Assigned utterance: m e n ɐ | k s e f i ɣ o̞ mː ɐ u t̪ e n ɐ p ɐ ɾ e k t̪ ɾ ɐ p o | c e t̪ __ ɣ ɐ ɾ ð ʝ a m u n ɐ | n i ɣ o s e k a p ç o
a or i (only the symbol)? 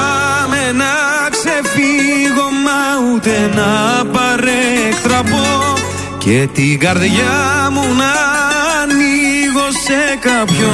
i